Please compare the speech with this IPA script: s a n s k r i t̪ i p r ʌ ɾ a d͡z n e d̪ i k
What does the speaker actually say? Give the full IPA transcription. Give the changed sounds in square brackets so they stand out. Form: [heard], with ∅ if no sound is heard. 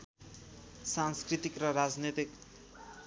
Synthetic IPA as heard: s a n s k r i t̪ i [k] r ʌ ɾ a d͡z n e [t̪] i k